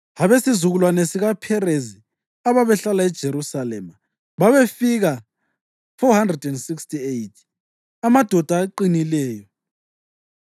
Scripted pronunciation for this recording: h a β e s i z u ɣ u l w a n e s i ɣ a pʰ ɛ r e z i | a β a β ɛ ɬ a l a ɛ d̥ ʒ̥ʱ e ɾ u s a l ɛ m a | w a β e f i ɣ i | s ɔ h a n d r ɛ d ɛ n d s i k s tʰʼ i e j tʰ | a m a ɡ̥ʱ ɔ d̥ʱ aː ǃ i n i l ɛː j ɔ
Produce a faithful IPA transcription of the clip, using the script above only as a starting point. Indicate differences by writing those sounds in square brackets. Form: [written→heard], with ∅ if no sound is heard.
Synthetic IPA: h a β e s i z u ɣ u l w a n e s i ɣ a pʰ ɛ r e z i | a β a β ɛ ɬ a l a ɛ d̥ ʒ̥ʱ e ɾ u s a l ɛ m a | [w→β] a β e f i ɣ [i→a] | [s→f] ɔ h a n d r ɛ d ɛ n d s i k s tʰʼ i e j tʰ | a m a [ɡ̥ʱ→d̥ʱ] ɔ d̥ʱ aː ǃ i n i l ɛː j ɔ